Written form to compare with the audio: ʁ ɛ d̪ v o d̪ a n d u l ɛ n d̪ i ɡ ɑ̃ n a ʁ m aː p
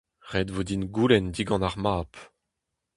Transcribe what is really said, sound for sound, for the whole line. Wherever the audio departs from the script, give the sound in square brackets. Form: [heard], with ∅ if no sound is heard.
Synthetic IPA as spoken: ʁ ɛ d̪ v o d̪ [i] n [ɡ] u l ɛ n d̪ i ɡ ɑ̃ n a ʁ m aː p